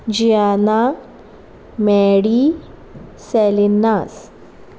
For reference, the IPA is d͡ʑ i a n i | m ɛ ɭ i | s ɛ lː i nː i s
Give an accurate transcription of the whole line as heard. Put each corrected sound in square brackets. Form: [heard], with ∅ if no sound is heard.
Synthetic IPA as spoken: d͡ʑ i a n [a] | m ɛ [ɽ] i | s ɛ [l] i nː [a] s